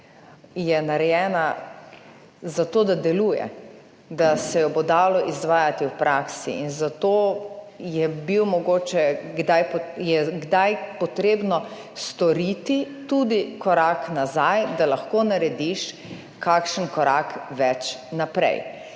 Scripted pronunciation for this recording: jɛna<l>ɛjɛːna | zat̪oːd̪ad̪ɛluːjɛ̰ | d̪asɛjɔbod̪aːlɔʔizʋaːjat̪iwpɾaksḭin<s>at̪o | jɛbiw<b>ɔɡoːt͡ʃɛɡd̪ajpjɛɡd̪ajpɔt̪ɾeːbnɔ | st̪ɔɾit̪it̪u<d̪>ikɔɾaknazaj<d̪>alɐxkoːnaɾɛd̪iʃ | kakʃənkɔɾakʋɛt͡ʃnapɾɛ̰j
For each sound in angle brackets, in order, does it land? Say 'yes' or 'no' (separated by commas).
no, no, no, yes, yes